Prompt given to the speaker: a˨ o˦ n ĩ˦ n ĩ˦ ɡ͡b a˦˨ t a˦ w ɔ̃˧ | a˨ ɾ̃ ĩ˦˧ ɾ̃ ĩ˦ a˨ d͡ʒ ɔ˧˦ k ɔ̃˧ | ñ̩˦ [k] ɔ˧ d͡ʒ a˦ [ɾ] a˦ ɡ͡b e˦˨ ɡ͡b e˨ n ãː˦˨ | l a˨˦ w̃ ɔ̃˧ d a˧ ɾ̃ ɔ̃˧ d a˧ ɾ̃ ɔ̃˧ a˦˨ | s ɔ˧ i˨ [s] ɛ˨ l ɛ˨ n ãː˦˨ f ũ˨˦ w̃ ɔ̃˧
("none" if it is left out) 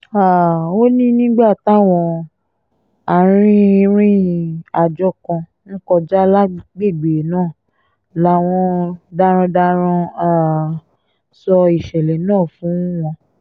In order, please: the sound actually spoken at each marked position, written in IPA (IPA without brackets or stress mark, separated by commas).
k, l, ʃ